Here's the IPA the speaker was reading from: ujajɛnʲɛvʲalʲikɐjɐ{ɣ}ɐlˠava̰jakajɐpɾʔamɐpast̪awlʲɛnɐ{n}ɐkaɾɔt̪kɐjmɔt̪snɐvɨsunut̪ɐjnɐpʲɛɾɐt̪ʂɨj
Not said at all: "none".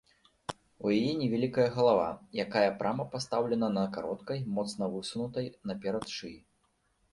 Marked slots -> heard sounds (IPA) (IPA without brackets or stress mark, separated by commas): ɣ, n